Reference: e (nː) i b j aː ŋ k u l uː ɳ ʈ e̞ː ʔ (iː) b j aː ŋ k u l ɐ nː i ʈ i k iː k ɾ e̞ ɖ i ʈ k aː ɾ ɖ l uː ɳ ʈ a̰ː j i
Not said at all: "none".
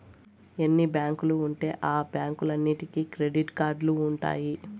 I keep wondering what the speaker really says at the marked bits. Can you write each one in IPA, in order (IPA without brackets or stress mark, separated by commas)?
nː, aː